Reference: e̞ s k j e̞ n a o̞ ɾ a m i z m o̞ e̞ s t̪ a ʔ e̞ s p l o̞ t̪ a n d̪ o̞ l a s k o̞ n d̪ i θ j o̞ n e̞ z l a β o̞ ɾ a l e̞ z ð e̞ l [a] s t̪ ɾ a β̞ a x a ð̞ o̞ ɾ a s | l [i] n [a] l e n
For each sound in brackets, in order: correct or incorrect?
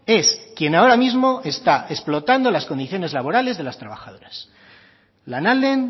correct, incorrect, correct

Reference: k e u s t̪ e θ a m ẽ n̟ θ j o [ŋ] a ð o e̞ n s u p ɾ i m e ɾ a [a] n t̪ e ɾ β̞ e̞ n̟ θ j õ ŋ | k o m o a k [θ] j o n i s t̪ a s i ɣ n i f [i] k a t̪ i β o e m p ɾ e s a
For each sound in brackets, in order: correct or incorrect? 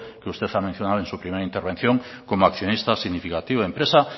incorrect, incorrect, correct, correct

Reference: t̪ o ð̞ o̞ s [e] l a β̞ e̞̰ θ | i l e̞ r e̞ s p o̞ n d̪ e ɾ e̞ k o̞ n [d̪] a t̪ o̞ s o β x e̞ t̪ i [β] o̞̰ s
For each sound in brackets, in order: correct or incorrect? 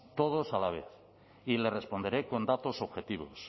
incorrect, correct, correct

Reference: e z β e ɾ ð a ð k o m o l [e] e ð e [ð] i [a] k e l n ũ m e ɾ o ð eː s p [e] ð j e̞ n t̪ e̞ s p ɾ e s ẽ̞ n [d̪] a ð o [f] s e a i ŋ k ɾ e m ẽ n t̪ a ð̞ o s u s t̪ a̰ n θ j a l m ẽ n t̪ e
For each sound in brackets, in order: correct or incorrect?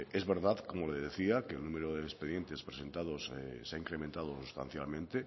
correct, incorrect, correct, correct, incorrect, incorrect

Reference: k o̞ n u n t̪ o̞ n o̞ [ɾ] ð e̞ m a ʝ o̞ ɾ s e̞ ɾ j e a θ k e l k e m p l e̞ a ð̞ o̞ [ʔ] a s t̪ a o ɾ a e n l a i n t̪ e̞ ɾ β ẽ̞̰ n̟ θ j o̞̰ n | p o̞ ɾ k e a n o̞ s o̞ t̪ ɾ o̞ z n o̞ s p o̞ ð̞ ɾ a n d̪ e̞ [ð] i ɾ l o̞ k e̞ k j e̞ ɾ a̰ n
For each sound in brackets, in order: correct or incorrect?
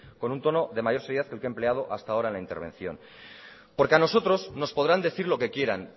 incorrect, correct, incorrect

